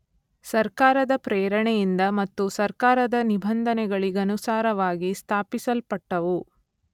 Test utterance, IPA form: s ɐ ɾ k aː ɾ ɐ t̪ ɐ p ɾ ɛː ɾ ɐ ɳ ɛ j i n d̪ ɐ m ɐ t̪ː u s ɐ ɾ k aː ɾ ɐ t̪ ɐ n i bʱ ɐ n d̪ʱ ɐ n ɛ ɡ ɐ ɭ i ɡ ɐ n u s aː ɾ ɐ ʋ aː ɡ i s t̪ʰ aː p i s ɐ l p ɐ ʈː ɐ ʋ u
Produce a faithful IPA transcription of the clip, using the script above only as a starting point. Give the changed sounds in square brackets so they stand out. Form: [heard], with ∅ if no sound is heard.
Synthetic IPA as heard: s ɐ ɾ k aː ɾ ɐ [d̪] ɐ p ɾ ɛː ɾ ɐ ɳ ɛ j i n d̪ ɐ m ɐ t̪ː u s ɐ ɾ k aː ɾ ɐ [d̪] ɐ n i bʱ ɐ n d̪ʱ ɐ n ɛ ɡ ɐ ɭ i ɡ ɐ n u s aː ɾ ɐ ʋ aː ɡ i s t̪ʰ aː p i s ɐ l p ɐ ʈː ɐ ʋ u